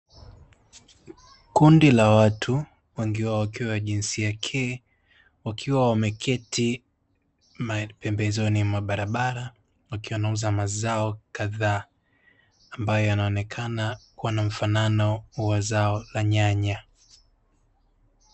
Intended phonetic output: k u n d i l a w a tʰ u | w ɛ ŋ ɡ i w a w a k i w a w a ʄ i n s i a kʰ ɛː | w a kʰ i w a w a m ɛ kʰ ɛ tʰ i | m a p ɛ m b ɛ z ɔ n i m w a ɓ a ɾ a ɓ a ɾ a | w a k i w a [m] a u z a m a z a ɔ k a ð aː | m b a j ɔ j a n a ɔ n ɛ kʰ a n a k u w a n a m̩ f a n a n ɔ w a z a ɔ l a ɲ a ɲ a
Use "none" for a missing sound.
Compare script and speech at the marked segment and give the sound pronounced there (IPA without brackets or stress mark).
n